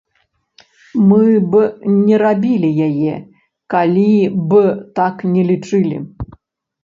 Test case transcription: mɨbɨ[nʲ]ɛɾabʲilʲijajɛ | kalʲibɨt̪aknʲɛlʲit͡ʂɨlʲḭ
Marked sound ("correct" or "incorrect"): correct